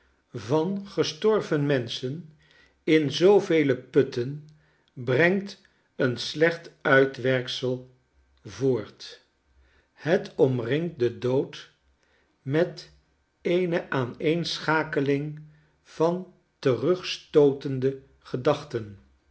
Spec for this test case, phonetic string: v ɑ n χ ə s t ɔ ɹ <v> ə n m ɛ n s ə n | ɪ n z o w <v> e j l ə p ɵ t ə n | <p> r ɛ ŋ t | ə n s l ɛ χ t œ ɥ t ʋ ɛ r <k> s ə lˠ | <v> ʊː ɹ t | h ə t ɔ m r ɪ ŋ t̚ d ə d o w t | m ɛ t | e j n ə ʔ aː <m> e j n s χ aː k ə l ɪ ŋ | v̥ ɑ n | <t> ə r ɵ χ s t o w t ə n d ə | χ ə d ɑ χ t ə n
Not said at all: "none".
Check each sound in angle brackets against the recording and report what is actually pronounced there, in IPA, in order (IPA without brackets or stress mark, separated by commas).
v, v, b, k, v, n, t